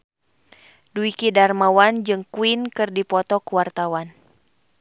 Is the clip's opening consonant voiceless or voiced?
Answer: voiced